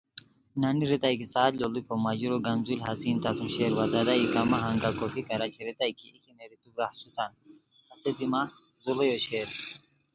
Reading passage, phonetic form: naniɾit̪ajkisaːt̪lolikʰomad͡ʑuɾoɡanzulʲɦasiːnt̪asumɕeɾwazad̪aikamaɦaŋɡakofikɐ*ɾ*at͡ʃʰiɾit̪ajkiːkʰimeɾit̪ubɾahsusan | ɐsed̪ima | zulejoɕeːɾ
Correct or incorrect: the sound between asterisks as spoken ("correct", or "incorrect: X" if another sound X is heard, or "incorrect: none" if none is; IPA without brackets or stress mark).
correct